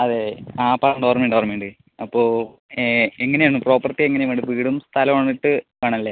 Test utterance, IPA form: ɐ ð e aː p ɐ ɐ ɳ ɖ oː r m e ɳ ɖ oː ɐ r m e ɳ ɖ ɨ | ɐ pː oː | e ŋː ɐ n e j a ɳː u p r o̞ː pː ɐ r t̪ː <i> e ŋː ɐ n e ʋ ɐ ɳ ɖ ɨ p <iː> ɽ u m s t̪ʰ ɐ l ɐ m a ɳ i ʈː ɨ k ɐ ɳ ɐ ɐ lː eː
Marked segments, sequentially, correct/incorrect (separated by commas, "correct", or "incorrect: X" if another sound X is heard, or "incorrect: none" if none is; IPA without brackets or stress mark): correct, correct